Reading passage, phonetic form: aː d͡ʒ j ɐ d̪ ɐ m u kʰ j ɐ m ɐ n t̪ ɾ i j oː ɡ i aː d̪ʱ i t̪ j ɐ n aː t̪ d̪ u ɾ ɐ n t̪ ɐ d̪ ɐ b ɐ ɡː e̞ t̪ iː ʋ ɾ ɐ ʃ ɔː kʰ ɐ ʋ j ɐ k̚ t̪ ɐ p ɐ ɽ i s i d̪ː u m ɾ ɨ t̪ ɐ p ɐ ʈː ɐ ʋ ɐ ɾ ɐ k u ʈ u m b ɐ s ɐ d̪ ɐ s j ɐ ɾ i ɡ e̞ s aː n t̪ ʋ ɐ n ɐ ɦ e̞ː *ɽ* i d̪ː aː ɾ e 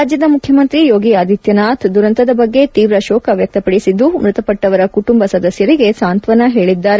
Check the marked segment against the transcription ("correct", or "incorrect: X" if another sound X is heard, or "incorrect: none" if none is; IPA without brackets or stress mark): incorrect: ɭ